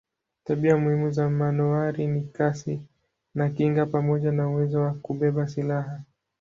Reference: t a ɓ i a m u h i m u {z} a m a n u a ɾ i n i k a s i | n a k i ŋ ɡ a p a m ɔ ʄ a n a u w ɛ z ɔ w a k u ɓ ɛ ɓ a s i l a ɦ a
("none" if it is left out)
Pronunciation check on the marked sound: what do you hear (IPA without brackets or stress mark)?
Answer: z